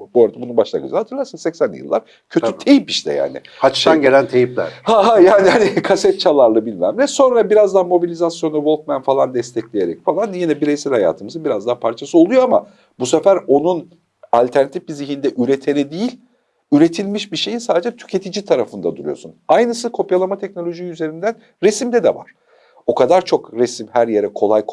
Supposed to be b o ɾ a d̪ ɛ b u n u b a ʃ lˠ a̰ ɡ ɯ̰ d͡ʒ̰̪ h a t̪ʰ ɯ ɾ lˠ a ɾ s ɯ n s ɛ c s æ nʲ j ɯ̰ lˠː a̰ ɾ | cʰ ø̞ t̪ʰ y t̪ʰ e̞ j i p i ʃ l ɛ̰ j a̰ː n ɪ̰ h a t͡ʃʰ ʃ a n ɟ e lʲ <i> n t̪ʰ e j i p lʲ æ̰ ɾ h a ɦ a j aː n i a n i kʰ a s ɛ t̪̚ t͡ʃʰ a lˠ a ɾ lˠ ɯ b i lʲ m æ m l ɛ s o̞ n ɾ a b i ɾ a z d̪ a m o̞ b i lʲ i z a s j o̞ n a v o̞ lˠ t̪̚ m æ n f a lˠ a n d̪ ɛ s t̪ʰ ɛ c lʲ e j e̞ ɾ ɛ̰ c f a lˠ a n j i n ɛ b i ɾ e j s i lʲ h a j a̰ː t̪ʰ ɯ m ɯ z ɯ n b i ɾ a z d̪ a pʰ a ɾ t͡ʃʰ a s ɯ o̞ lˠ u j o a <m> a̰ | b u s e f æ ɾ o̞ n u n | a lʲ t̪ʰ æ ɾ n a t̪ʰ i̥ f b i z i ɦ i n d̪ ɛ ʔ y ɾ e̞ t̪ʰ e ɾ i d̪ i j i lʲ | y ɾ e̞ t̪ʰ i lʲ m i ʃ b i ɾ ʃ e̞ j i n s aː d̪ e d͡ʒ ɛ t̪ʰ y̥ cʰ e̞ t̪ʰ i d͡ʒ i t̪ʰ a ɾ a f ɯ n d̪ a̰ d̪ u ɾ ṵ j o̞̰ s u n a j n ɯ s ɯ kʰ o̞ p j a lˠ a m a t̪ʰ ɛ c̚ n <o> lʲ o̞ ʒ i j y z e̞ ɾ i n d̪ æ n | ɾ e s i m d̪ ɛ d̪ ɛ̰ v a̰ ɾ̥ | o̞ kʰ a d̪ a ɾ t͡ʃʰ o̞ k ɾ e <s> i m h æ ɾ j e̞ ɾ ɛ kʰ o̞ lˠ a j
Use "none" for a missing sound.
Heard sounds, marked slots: æ, m, o, s

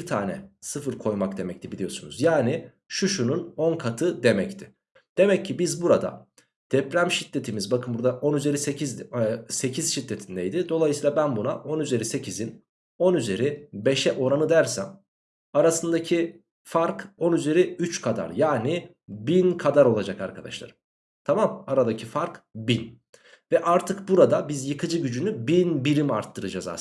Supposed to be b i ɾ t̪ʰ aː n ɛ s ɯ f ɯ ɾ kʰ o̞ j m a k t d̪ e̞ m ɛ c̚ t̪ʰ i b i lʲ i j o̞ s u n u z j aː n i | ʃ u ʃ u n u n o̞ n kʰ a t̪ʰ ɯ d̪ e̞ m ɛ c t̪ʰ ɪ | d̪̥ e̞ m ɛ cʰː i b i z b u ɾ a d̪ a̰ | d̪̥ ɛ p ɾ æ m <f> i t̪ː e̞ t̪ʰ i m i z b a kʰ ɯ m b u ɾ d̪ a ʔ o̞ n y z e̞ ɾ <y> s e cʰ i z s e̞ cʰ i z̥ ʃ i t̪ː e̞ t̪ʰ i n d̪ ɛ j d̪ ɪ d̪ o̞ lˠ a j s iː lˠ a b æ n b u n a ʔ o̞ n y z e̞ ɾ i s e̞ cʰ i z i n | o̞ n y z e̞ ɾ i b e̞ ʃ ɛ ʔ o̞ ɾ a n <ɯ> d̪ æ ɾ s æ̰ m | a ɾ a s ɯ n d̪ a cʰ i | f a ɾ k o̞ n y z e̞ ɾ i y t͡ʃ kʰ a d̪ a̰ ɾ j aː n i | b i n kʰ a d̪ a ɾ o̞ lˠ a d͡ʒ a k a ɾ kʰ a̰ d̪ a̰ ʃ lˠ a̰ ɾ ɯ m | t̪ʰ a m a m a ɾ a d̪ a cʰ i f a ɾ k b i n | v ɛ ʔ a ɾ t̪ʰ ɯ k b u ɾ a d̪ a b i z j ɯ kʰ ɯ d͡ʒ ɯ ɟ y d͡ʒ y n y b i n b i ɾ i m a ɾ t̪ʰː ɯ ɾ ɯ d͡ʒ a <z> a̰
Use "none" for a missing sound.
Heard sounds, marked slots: ʃ, i, ɯ, z

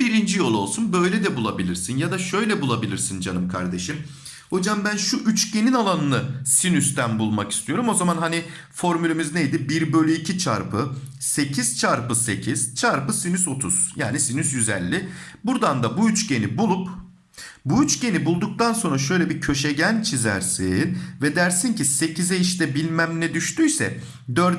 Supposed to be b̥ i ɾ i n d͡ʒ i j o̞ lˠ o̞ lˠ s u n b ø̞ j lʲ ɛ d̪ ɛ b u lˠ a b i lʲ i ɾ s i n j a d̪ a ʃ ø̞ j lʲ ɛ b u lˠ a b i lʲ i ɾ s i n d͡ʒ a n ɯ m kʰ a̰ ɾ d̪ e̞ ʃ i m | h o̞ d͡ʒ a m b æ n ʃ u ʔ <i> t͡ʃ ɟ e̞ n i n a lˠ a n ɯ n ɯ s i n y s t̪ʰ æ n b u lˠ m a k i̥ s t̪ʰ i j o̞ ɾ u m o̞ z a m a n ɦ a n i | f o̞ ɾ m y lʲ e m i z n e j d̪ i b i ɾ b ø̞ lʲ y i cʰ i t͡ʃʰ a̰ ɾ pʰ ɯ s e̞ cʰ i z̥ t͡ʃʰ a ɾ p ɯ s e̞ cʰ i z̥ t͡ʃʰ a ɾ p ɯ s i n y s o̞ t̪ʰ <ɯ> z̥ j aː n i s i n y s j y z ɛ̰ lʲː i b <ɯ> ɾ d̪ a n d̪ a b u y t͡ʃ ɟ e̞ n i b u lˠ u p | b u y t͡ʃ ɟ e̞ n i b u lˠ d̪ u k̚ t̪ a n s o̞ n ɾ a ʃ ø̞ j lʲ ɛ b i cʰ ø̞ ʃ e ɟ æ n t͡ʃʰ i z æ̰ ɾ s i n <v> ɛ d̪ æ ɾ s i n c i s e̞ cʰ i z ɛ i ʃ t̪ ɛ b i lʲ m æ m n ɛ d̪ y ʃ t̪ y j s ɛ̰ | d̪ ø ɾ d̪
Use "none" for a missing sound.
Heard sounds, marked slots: y, u, u, v

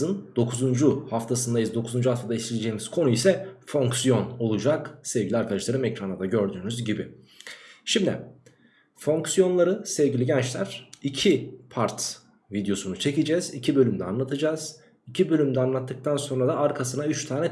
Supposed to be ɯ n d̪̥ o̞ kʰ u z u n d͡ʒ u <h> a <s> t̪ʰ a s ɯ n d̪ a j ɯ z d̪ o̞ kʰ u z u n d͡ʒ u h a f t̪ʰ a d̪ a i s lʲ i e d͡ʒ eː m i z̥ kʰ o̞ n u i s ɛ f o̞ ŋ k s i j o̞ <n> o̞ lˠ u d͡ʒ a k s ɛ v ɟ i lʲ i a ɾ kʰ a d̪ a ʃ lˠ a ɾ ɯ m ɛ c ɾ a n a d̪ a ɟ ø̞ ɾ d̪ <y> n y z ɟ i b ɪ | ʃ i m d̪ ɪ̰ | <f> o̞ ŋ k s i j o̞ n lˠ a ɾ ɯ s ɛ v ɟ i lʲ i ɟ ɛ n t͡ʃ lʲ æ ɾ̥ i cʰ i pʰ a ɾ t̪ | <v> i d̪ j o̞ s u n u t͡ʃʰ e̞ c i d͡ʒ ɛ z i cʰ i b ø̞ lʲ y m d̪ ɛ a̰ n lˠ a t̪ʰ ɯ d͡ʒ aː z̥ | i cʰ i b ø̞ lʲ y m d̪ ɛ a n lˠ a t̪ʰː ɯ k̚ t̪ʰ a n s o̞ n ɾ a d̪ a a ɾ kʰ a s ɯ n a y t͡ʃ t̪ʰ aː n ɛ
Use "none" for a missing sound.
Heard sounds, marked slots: h, f, n, yː, f, v

